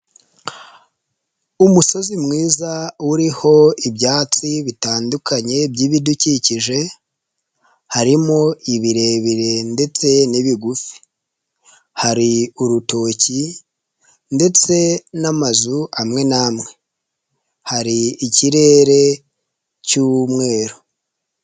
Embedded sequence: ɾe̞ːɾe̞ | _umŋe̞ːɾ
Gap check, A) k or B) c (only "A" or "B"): B